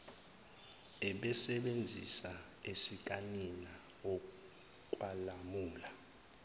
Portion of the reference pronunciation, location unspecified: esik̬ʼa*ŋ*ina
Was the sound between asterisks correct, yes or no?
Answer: no